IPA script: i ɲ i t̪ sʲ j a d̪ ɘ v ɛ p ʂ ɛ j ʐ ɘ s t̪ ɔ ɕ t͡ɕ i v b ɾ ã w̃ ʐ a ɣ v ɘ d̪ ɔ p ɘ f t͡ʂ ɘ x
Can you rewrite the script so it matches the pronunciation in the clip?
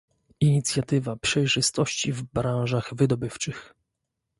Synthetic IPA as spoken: i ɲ i t̪ sʲ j a t̪ ɘ v a p ʂ ɛ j ʐ ɘ s t̪ ɔ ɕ t͡ɕ i v b ɾ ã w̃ ʐ a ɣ v ɘ d̪ ɔ b ɘ f t͡ʂ ɘ x